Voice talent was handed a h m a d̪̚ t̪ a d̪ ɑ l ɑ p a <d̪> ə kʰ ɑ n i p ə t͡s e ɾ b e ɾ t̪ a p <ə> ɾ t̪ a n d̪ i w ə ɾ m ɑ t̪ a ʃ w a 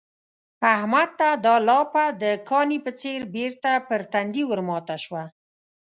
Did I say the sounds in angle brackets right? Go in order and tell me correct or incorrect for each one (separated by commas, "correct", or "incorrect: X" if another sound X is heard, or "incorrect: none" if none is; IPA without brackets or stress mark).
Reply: correct, correct